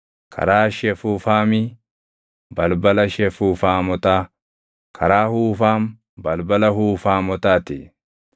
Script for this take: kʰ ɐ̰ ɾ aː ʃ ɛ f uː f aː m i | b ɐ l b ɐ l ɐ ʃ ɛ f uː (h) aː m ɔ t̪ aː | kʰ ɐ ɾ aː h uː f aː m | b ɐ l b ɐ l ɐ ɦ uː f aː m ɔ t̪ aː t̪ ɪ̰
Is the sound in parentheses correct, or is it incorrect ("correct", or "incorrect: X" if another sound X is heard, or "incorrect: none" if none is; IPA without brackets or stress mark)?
incorrect: f